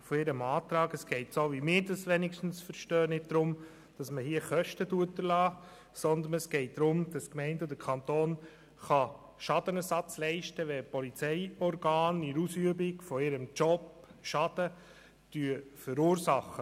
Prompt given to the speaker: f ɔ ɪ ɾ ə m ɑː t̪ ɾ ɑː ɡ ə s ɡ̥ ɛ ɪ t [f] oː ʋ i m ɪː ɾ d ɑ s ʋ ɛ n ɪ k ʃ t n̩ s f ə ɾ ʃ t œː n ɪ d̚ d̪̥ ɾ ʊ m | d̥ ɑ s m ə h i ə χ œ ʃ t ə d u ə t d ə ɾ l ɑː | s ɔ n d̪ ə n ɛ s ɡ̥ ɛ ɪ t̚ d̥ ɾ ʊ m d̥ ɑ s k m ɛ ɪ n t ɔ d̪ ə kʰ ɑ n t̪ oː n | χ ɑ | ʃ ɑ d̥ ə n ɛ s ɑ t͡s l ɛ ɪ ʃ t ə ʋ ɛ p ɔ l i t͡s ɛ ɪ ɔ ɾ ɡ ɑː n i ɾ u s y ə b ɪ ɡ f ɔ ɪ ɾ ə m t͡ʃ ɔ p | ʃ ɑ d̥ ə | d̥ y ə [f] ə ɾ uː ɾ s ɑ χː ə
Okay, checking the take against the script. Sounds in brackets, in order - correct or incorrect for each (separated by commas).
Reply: incorrect, correct